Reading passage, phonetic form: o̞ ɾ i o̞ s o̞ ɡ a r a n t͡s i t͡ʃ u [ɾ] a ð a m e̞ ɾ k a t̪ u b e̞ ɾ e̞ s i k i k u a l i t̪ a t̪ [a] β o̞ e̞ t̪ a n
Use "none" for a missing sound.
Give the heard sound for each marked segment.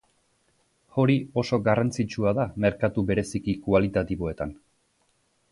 none, i

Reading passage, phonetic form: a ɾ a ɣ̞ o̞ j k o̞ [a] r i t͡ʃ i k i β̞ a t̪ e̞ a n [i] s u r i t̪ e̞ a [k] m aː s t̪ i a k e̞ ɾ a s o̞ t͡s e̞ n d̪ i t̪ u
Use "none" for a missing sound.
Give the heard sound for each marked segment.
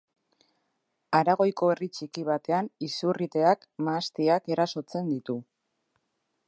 e, i, k

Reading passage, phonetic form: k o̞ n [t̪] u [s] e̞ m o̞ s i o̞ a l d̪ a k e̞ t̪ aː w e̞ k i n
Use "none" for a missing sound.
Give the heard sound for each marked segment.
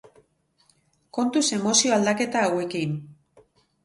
t̪, s

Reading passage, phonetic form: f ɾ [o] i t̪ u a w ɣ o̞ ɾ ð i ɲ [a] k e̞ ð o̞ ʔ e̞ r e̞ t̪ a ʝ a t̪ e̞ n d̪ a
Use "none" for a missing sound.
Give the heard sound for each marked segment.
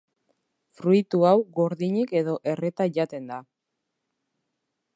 u, i

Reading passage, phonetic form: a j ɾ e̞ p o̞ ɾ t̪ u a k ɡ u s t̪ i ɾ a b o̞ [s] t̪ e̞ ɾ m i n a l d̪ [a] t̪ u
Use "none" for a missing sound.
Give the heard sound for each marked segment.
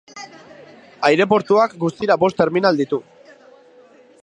s, i

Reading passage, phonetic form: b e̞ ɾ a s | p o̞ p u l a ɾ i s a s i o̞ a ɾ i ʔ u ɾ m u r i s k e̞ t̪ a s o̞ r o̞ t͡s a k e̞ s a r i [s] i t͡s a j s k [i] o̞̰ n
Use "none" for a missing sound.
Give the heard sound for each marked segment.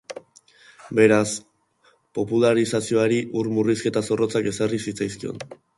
s, i

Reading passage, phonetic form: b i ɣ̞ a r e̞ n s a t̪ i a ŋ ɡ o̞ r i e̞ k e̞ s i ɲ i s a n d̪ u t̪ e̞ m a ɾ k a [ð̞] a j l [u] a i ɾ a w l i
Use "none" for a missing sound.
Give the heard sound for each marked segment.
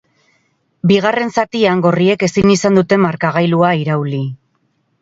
ɣ̞, u

